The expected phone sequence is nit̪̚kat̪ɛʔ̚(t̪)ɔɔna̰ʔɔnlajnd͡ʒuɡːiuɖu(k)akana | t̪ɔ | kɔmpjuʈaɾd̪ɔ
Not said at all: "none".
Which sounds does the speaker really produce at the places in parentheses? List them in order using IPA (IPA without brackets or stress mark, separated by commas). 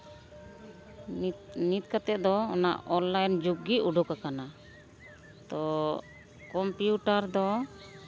d̪, k